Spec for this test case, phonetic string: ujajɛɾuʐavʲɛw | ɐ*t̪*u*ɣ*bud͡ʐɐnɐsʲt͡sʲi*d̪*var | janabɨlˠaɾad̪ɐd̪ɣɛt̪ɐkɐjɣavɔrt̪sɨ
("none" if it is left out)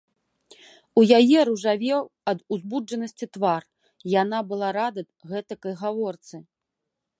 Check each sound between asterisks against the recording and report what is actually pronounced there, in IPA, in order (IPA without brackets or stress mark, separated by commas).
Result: d̪, z, t̪